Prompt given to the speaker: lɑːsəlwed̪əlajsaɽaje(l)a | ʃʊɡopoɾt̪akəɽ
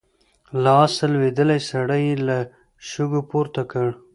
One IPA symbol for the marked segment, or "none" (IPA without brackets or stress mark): l